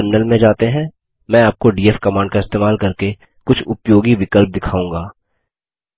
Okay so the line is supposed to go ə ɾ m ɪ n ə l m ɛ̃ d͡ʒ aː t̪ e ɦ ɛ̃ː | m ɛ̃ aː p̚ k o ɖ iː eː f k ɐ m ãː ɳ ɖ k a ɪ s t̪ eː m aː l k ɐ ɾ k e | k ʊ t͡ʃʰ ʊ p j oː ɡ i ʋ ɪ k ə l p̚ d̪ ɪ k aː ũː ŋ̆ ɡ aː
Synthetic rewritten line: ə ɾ m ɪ n ə l m ẽ d͡ʒ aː t̪ e ɦ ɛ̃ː | m ɛ̃ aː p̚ k o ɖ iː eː f k ɐ m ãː ɳ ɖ k a ɪ s t̪ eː m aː l k ɐ ɾ k e | k ʊ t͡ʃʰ ʊ p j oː ɡ i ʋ ɪ k ə l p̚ d̪ ɪ kʰ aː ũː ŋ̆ ɡ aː

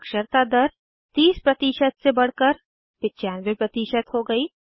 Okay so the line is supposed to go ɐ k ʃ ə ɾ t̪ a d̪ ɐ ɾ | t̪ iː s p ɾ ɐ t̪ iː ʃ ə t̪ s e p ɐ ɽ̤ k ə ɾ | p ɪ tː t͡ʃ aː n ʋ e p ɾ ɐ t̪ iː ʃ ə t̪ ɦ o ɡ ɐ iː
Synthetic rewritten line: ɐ k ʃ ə ɾ t̪ a d̪ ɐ ɾ | t̪ iː s p ɾ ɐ t̪ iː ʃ ə t̪ s e b ɐ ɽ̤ k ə ɾ | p ɪ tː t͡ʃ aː n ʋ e p ɾ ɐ t̪ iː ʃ ə t̪ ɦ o ɡ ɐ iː

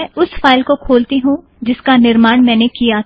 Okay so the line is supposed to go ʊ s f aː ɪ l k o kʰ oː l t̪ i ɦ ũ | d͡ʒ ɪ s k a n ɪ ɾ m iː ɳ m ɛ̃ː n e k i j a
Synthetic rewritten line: ʊ s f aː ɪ l k o kʰ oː l t̪ i ɦ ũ | d͡ʒ ɪ s k a n ɪ ɾ m aː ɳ m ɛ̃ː n e k i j a

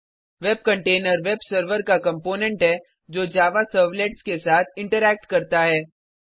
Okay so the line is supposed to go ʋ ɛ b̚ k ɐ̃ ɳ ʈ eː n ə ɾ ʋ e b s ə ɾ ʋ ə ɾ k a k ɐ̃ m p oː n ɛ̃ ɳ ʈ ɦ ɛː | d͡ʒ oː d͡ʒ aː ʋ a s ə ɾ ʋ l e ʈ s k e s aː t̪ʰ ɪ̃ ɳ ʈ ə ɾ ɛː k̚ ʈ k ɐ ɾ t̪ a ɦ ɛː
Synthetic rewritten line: ʋ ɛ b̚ k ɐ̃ ɳ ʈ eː n ə ɾ ʋ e b s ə ɾ ʋ ə ɾ k a k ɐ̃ m p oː n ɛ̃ ɳ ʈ ɦ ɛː | d͡ʒ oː d͡ʒ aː ʋ a s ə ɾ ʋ l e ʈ s k e s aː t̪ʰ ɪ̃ ɳ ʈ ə ɾ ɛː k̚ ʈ k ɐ ɾ t̪ a ɦ ɛː

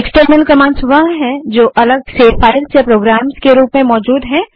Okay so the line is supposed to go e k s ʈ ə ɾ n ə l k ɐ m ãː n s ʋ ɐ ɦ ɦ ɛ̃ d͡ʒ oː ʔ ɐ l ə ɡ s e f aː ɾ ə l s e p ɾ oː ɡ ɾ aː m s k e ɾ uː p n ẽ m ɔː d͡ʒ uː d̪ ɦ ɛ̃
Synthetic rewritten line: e k s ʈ ə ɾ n ə l k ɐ m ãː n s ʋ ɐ ɦ ɦ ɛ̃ d͡ʒ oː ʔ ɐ l ə ɡ s e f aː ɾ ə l s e p ɾ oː ɡ ɾ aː m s k e ɾ uː p m ẽ m ɔː d͡ʒ uː d̪ ɦ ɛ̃

